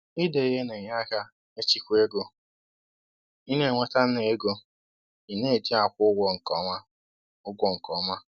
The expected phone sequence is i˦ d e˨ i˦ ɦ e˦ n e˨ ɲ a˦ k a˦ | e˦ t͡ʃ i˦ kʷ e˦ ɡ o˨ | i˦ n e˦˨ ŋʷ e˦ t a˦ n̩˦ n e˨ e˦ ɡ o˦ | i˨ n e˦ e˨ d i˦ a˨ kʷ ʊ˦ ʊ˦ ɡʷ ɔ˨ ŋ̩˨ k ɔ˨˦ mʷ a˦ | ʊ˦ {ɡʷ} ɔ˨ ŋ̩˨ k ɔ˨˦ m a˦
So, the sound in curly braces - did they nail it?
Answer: yes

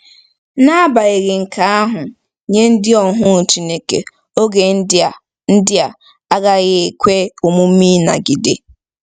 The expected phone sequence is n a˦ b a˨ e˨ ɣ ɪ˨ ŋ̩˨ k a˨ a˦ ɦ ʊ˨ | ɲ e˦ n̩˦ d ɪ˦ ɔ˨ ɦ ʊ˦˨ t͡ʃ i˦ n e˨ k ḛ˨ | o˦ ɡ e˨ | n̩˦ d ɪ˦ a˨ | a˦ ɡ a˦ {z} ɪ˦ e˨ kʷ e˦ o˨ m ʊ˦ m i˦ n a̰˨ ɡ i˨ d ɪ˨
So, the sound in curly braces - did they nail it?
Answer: no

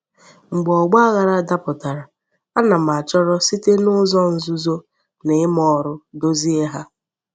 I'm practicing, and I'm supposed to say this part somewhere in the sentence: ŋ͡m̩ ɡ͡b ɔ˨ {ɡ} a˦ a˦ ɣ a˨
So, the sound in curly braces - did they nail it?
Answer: no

